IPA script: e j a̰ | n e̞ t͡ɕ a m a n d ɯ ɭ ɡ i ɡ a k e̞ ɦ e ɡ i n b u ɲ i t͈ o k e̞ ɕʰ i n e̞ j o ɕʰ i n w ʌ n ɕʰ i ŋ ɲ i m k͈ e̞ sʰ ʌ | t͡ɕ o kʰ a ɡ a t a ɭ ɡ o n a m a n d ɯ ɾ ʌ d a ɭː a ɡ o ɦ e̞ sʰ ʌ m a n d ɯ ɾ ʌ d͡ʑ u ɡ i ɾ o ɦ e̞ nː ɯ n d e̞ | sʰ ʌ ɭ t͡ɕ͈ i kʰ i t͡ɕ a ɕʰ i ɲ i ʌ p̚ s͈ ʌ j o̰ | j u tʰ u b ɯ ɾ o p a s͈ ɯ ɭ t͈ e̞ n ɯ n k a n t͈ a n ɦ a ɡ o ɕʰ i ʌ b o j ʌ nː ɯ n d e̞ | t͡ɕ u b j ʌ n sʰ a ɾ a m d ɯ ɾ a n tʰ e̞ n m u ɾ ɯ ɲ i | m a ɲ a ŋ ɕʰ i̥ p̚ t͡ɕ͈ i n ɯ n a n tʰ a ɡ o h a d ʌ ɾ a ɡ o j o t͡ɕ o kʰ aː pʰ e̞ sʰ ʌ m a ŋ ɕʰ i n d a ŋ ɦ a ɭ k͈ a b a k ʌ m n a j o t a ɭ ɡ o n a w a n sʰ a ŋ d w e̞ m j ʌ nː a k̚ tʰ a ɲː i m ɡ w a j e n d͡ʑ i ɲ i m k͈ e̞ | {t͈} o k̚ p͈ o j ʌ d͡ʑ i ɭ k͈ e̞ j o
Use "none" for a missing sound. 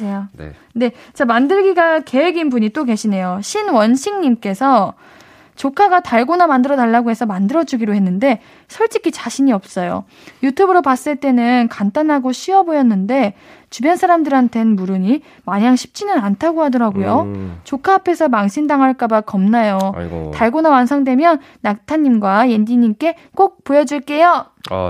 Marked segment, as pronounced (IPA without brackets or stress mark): k͈